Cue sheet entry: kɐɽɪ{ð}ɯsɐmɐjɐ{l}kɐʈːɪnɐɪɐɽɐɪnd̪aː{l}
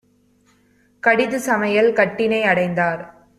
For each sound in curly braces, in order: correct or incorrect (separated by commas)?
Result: correct, correct, incorrect